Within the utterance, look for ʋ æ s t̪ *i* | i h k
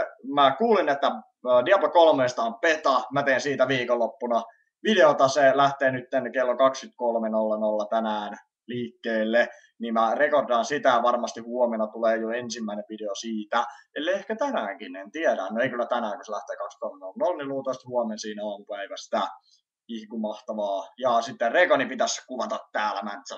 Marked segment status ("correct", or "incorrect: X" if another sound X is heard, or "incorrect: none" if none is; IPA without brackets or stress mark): incorrect: æ